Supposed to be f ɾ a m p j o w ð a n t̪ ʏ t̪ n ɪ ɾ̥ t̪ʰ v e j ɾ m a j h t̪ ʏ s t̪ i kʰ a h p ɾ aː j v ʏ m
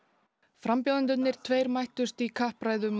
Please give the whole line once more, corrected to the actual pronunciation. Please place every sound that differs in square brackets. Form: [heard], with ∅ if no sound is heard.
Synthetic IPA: f ɾ a m p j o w ð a n t̪ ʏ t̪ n ɪ ɾ̥ t̪ʰ v e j ɾ m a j h t̪ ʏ s t̪ i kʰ a h p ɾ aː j [ð] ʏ m